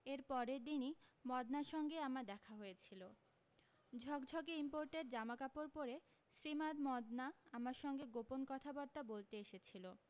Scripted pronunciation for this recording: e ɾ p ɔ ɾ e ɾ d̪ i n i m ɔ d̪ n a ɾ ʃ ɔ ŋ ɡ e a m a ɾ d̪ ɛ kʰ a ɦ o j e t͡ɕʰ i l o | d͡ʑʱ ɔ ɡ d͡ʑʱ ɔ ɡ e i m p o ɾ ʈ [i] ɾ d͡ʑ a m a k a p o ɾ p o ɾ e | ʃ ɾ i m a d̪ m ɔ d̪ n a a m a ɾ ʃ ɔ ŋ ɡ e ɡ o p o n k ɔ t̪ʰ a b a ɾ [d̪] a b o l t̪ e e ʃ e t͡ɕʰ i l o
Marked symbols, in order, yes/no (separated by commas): no, no